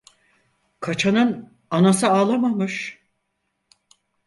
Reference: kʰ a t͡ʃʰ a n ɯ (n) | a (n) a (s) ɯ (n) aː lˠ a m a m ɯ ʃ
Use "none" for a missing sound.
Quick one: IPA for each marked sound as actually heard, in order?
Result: n, n, s, none

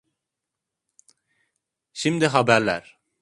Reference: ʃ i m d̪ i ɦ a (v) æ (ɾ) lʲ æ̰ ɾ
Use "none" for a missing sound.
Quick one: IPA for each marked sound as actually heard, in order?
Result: b, ɾ

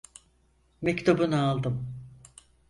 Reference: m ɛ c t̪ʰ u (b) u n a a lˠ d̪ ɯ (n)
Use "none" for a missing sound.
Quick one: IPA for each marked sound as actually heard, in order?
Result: b, m

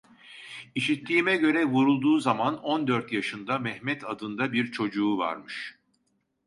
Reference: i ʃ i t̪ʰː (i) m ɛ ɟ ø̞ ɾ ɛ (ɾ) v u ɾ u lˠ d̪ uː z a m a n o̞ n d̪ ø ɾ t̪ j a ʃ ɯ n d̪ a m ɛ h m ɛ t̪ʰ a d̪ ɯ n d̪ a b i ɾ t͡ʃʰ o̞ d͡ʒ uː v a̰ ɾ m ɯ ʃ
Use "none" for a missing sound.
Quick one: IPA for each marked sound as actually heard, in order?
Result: iː, none

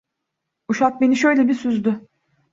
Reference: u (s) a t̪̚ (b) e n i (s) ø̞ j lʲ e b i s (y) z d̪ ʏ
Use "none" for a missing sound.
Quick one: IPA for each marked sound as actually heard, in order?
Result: ʃ, b, ʃ, y

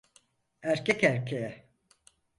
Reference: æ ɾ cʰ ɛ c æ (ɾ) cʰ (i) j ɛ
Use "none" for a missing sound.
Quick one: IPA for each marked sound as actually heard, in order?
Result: ɾ, e

